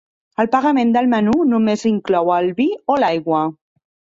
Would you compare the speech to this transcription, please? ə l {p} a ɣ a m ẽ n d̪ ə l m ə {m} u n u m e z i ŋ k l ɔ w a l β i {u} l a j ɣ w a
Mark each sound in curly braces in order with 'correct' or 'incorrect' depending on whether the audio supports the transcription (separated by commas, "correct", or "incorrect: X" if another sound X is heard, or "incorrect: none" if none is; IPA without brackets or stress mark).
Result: correct, incorrect: n, incorrect: o